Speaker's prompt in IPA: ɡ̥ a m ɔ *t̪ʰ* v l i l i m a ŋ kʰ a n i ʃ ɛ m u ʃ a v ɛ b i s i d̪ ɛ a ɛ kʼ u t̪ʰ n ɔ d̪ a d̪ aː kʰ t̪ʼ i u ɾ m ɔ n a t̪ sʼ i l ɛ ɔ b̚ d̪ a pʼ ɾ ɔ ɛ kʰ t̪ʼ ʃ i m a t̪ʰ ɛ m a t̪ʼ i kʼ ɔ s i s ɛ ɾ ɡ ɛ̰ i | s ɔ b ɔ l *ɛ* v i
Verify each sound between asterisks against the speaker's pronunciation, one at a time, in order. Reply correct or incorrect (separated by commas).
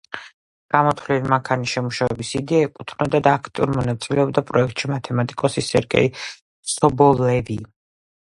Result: correct, correct